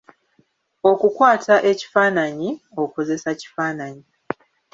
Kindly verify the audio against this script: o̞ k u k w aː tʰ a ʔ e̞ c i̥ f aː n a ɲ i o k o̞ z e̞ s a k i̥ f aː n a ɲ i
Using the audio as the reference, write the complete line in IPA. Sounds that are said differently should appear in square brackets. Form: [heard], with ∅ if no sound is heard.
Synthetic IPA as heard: o̞ k u k w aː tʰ a ʔ e̞ c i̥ f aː n a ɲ i o k o̞ z e̞ s a [c] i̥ f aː n a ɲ i